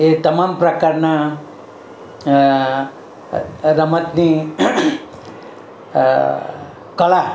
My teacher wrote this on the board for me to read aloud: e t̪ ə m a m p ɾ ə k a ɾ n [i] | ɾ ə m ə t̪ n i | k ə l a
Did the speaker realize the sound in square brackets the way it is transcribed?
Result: no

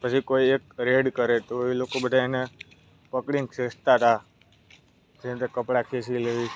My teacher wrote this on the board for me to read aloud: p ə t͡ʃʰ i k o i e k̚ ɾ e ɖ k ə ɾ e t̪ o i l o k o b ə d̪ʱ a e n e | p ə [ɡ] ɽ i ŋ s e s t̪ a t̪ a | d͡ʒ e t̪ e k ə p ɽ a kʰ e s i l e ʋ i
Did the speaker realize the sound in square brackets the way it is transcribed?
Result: no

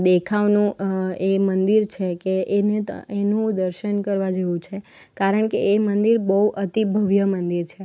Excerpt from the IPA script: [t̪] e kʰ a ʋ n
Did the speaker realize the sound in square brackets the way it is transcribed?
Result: no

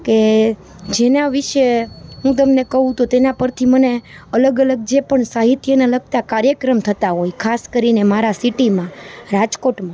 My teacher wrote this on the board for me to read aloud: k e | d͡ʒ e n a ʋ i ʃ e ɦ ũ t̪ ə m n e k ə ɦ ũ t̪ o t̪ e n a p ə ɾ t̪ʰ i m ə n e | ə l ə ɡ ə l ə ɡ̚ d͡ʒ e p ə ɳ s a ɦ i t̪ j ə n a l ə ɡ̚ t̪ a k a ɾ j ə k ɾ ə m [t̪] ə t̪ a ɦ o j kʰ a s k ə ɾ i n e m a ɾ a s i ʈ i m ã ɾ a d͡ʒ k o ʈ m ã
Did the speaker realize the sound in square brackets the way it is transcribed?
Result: no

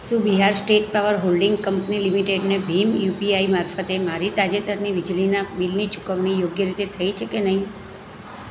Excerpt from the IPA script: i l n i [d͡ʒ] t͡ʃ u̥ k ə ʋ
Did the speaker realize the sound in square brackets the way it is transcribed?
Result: no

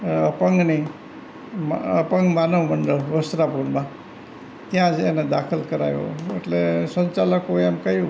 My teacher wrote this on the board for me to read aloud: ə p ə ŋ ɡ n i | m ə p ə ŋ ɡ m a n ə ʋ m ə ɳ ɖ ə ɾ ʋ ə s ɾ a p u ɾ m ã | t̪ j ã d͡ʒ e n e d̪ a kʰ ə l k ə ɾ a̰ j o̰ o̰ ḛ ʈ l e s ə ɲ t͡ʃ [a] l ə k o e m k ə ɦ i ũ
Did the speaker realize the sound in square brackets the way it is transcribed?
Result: yes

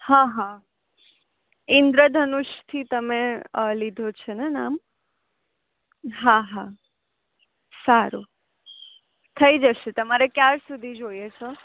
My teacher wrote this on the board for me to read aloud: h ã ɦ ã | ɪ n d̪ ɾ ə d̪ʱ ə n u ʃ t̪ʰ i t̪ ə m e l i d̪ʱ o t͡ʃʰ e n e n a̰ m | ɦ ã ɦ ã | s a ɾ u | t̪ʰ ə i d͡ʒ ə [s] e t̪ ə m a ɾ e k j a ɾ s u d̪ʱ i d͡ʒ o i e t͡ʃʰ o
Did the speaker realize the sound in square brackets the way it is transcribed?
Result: no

